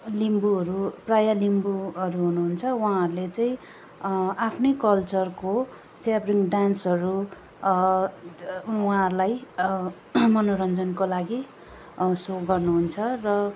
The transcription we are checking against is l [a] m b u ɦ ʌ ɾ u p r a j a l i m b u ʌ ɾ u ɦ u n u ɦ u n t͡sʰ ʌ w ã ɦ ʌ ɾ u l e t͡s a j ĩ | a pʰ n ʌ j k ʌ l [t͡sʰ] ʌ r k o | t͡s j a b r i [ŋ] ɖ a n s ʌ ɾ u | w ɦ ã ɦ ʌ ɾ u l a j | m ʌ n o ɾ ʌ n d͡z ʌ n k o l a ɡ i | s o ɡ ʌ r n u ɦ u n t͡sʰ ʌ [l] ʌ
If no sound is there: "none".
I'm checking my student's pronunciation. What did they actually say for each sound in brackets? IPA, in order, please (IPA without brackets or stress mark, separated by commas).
i, t͡s, ŋ, r